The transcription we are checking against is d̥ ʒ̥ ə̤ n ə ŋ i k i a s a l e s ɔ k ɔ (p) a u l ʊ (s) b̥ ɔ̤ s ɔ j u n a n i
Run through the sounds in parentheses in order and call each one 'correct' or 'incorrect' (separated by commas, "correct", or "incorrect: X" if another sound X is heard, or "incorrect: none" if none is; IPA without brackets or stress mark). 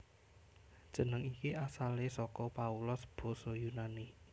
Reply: correct, correct